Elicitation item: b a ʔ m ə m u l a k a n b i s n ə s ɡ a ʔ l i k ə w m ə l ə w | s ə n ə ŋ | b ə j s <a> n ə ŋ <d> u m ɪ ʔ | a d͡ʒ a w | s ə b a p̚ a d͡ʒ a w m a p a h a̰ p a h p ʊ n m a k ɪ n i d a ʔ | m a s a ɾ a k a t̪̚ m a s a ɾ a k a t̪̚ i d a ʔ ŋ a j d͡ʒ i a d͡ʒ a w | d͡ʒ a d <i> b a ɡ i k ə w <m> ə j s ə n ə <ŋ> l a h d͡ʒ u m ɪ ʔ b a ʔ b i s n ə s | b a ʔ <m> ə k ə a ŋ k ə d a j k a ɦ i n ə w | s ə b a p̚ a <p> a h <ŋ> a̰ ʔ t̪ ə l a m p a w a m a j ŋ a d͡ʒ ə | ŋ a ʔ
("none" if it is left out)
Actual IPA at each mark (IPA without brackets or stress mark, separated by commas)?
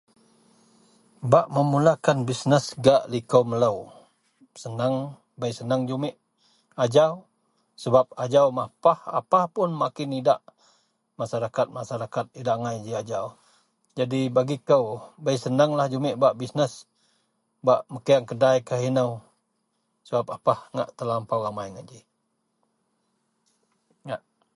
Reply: ə, d͡ʒ, i, b, ŋ, m, p, ŋ